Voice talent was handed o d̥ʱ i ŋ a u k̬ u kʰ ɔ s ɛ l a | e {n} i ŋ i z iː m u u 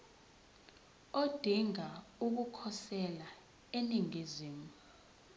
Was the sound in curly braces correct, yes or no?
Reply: yes